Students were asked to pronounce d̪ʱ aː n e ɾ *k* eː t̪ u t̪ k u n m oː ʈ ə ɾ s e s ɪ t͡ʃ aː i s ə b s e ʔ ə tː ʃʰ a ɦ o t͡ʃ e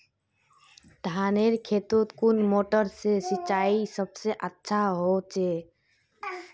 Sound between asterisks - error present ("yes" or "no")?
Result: yes